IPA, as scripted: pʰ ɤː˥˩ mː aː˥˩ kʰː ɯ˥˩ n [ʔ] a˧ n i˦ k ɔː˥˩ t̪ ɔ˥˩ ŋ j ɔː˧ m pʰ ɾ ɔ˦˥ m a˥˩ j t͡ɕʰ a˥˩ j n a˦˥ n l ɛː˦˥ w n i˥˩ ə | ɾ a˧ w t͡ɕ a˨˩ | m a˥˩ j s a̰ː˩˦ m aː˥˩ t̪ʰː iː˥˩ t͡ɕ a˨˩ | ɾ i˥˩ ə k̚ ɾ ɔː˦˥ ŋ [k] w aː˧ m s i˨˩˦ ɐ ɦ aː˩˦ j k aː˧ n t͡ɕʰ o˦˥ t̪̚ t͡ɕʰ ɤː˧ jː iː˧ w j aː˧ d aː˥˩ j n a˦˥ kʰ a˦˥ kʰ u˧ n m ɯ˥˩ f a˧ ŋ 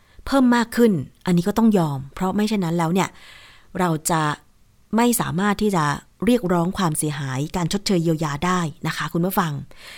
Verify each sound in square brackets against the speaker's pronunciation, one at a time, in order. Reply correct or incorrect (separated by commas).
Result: correct, incorrect